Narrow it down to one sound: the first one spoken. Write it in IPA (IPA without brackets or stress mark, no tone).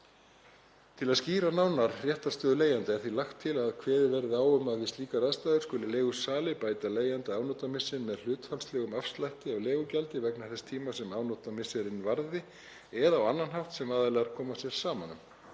t̪ʰ